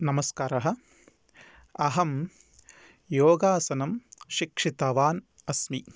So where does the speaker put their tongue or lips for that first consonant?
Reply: tongue tip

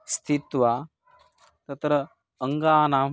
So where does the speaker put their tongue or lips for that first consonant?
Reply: tongue tip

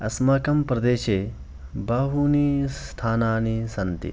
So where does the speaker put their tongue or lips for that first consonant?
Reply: tongue tip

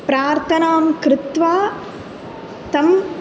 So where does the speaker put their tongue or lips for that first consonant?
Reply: lips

